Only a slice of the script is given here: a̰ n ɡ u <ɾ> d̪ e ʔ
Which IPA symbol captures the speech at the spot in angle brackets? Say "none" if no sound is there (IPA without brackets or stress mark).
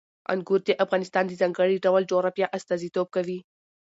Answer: ɾ